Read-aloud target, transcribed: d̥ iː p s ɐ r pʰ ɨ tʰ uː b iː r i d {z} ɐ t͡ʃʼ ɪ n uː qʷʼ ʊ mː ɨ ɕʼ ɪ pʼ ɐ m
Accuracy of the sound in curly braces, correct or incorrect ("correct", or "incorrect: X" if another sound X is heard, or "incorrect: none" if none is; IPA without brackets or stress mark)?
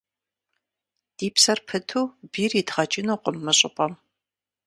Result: incorrect: ʁ